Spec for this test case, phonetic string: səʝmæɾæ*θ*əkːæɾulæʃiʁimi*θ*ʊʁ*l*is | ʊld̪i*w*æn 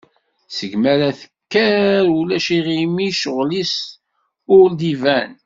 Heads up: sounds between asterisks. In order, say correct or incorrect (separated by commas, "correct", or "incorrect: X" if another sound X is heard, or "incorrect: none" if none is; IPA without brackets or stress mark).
correct, incorrect: ʃ, correct, incorrect: v